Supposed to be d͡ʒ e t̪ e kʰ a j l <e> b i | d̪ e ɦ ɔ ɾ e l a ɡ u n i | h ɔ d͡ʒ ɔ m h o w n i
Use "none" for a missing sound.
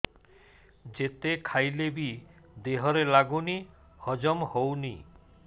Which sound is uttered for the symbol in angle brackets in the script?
e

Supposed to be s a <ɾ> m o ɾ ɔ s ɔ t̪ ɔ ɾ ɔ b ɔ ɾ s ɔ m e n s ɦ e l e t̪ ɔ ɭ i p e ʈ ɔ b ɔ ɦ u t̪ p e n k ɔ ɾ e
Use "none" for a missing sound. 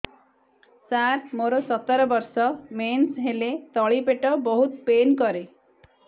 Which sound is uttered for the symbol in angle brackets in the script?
ɾ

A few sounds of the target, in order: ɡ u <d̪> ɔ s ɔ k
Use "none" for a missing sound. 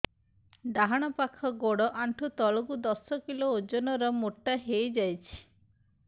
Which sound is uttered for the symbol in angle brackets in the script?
d̪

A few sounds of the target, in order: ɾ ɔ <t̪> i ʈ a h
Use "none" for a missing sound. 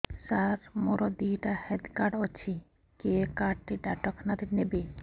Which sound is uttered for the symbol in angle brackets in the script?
d̪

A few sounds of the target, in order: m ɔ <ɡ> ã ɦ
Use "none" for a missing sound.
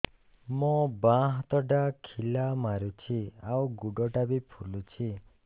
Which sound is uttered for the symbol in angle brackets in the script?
b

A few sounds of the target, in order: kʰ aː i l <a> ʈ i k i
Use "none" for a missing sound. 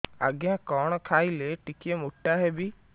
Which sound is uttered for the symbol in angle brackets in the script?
e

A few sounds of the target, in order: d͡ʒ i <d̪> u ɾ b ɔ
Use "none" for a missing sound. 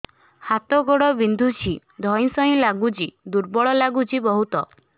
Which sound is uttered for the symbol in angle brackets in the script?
d̪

